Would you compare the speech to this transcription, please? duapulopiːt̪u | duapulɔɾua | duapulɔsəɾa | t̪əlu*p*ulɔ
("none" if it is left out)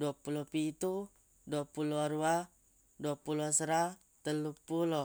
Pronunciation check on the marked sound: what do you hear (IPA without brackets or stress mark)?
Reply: p